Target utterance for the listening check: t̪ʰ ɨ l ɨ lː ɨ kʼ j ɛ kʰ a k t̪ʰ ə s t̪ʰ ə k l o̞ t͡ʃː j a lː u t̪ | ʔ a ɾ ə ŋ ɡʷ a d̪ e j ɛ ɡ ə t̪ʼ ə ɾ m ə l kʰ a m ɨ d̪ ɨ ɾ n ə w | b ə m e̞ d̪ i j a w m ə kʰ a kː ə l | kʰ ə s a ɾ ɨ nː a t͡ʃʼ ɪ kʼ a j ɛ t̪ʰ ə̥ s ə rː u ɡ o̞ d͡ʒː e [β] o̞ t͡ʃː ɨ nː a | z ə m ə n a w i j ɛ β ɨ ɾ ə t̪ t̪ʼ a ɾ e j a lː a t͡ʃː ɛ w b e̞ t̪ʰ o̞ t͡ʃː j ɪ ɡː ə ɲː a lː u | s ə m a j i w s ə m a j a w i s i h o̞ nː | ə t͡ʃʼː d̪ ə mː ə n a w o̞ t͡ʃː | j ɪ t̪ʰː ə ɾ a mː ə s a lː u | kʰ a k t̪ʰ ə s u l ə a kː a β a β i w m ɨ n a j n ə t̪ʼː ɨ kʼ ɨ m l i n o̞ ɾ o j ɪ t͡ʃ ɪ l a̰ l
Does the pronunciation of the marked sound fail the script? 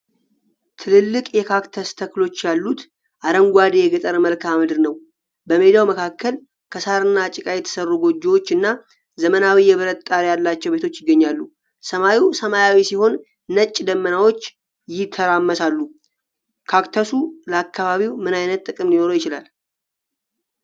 yes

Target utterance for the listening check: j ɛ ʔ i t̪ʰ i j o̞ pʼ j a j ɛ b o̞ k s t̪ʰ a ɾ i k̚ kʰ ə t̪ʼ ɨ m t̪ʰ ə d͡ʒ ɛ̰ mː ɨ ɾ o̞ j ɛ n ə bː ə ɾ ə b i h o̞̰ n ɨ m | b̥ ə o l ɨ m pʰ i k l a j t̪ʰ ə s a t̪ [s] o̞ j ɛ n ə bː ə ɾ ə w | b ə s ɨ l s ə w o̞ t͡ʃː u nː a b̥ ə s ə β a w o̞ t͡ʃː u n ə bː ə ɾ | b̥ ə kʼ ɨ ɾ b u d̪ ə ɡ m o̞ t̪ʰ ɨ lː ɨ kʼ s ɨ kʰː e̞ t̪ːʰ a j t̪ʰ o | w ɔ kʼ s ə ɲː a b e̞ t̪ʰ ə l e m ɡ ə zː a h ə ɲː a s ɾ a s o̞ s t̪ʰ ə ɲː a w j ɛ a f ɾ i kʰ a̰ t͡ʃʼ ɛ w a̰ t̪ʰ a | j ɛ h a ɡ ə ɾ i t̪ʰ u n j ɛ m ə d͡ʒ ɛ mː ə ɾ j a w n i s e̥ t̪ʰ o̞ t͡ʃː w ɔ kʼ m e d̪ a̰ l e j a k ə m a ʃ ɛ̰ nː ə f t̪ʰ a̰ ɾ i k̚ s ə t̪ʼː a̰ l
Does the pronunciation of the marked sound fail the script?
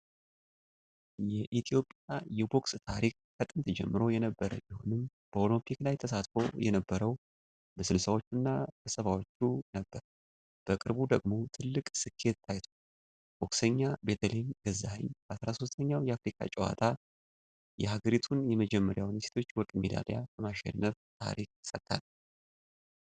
yes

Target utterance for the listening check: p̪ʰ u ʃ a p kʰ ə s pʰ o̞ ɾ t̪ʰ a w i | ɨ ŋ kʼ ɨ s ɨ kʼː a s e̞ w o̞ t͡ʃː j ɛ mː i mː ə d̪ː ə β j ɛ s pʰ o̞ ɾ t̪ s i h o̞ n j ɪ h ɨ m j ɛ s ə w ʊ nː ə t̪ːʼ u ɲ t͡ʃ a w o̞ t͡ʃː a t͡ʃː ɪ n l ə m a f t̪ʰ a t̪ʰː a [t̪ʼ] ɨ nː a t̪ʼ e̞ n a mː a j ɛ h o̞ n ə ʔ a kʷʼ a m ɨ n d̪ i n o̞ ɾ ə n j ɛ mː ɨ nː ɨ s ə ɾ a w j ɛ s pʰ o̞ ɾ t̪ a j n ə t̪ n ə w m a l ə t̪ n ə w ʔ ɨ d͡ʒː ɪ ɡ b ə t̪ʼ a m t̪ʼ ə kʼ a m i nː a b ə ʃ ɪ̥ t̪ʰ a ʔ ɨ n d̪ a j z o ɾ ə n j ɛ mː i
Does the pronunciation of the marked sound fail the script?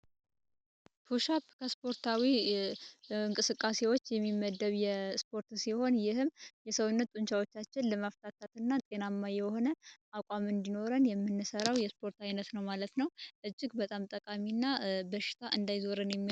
yes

